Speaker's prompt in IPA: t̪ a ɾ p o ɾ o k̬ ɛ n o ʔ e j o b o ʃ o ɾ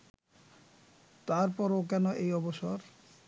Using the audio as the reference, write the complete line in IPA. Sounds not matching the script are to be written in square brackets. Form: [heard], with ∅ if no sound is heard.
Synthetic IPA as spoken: t̪ a ɾ p [ɔ] ɾ o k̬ ɛ n o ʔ e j [ɔ] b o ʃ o ɾ